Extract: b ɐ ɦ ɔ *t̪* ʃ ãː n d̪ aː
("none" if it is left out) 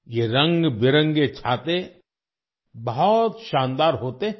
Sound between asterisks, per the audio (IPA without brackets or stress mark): t̪